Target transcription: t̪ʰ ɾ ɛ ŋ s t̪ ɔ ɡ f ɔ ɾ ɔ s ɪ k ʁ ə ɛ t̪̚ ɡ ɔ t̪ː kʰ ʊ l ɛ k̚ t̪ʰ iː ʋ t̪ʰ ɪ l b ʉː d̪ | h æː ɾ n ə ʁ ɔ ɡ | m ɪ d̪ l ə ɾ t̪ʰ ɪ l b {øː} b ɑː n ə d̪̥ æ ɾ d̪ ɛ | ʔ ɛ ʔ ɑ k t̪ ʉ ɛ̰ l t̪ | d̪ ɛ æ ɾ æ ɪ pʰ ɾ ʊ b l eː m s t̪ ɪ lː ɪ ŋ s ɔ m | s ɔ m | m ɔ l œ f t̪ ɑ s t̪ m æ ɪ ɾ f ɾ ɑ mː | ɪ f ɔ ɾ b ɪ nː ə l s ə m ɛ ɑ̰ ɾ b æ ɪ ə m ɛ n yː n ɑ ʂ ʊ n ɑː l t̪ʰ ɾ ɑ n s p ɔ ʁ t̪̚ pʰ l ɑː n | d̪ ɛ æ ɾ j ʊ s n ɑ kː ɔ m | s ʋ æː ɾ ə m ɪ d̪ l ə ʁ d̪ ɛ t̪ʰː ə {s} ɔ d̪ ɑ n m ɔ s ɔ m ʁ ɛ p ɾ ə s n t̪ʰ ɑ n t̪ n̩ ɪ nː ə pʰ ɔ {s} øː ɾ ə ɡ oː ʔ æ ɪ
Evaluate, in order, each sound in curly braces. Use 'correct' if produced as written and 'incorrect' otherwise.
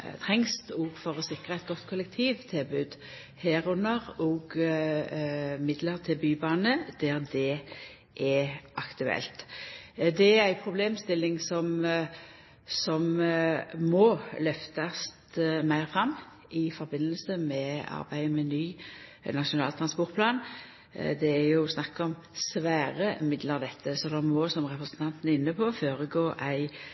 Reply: incorrect, correct, incorrect

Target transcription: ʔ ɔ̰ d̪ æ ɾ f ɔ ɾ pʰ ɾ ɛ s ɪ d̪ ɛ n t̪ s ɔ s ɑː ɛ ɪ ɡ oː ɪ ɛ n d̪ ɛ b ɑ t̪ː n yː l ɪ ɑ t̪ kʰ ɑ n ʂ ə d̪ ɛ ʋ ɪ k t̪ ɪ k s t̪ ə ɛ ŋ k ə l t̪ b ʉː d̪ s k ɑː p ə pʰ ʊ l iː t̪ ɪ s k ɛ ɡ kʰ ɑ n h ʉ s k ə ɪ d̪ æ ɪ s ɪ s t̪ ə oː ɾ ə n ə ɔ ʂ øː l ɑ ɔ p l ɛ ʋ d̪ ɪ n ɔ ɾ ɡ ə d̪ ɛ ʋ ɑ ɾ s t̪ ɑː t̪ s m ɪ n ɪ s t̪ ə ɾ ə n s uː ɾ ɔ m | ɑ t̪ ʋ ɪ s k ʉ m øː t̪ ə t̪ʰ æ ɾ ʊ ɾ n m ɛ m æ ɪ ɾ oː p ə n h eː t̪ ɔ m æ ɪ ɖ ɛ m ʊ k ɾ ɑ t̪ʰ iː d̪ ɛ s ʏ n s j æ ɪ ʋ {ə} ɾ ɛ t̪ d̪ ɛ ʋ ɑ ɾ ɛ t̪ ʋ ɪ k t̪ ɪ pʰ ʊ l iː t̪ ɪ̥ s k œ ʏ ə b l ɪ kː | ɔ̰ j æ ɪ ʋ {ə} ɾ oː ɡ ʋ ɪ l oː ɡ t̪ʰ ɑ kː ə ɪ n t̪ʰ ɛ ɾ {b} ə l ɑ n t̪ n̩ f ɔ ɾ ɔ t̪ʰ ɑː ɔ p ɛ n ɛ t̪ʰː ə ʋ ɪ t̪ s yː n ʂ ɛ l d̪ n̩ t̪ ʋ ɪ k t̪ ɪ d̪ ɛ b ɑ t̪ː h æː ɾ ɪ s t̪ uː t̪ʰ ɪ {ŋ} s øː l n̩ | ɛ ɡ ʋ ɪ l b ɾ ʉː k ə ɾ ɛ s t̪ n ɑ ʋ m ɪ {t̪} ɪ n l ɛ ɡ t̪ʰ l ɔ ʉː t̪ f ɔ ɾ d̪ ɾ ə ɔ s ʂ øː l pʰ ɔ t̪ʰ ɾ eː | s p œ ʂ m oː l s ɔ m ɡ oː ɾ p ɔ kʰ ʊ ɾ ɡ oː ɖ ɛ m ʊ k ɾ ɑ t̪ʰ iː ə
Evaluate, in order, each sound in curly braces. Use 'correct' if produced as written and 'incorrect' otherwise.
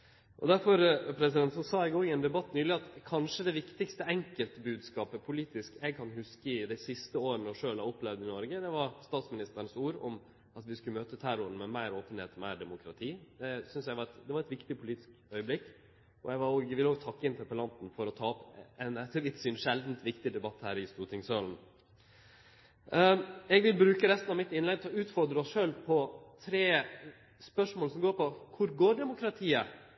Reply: incorrect, incorrect, incorrect, correct, correct

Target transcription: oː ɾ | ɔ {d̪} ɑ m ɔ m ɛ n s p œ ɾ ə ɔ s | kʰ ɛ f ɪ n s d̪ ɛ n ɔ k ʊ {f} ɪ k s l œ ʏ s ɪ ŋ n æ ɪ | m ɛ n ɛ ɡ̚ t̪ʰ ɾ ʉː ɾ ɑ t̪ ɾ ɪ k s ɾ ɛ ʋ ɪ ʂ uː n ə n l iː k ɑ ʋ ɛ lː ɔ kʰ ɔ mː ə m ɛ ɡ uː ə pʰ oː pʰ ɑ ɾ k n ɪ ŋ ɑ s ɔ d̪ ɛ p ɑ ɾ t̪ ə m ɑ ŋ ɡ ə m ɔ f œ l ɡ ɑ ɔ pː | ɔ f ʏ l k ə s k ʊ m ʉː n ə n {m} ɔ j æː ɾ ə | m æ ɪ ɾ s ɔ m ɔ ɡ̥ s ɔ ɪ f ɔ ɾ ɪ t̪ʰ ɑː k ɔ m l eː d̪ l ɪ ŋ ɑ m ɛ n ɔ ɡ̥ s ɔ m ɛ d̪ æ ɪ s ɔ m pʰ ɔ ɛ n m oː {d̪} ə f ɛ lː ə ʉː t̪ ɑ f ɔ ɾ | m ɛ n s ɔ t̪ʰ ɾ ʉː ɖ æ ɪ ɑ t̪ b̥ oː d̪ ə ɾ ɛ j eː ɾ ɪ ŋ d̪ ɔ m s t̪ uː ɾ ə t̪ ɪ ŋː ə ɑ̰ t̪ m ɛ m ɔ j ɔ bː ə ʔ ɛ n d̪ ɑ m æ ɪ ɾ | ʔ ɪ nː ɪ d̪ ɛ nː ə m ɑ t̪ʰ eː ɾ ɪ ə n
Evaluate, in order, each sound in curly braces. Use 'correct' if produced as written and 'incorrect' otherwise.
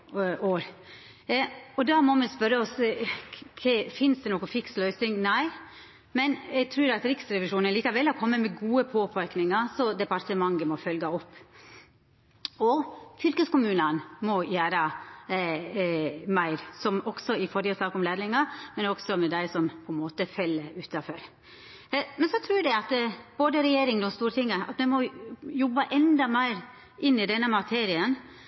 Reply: correct, correct, correct, incorrect

